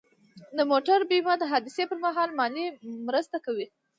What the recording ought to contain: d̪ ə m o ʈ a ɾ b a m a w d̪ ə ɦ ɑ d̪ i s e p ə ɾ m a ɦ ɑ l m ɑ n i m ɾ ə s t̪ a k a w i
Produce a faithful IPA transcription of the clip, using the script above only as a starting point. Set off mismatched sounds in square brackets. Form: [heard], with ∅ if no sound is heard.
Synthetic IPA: d̪ ə m o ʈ a ɾ b [i] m a [∅] d̪ ə ɦ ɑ d̪ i s e p ə ɾ m a ɦ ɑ l m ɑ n i m ɾ ə s t̪ a k a w i

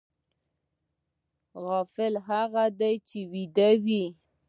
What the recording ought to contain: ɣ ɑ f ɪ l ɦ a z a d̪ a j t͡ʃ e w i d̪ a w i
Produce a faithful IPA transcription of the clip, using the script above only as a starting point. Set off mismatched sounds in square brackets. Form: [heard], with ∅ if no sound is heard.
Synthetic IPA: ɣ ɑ f ɪ l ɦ a [ɣ] a d̪ a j t͡ʃ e w i d̪ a w i

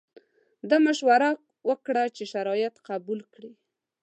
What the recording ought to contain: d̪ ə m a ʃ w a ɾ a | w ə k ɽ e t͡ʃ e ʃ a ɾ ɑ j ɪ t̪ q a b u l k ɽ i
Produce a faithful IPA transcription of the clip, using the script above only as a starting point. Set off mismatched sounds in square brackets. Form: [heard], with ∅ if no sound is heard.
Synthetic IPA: d̪ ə m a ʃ w a ɾ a | w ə k ɽ [a] t͡ʃ e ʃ a ɾ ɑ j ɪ t̪ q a b u l k ɽ i

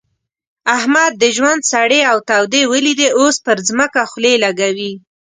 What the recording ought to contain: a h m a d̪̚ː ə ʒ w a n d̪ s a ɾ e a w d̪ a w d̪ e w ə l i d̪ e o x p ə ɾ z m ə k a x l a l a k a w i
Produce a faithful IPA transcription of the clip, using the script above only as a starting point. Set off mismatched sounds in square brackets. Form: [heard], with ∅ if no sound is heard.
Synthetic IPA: a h m a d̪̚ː ə ʒ w a n d̪ s a [ɽ] e a w [t̪] a w d̪ e w ə l i d̪ e o [s] p ə ɾ z m ə k a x l [e] l a [ɡ] a w i

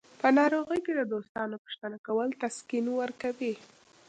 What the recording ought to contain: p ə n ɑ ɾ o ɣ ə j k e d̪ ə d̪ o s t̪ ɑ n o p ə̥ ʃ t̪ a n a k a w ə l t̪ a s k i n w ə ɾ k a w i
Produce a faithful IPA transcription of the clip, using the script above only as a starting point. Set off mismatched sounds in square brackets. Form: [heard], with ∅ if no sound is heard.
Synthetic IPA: p ə n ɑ ɾ o ɣ ə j k e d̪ ə d̪ o s t̪ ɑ n o p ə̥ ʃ t̪ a n a k a w ə l t̪ a s k i n w ə ɾ k a w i

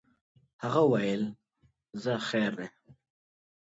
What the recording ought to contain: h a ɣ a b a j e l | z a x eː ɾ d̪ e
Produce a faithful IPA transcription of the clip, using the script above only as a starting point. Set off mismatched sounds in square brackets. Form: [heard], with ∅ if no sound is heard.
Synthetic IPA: h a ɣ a [w] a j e l | z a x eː ɾ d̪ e

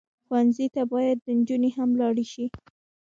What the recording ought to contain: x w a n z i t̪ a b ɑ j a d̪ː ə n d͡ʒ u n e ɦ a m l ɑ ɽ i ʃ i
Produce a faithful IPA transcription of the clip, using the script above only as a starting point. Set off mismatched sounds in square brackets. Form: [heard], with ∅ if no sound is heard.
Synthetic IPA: x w a n z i t̪ a b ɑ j a d̪ː ə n d͡ʒ u n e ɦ a m l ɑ ɽ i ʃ i

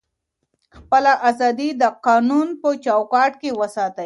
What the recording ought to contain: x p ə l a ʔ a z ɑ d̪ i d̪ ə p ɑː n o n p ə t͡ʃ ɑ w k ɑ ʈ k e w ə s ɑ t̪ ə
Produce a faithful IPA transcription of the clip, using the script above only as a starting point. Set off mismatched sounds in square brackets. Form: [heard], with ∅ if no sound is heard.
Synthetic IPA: x p ə l a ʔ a z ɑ d̪ i d̪ ə [q] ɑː n [u] n p ə t͡ʃ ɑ w k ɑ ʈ k e w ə s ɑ t̪ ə

